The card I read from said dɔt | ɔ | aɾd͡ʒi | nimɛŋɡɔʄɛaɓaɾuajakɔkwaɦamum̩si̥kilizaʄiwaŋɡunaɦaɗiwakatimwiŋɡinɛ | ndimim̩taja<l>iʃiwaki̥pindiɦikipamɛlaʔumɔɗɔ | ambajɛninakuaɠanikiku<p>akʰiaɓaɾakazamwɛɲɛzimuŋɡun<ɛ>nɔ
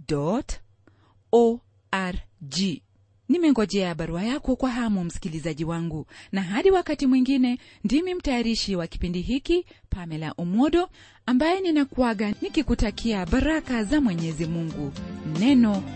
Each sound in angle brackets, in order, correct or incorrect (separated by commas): incorrect, incorrect, correct